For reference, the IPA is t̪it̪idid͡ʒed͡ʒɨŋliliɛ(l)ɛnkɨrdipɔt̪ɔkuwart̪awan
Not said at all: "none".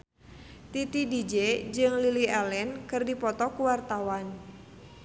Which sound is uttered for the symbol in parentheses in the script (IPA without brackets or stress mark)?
l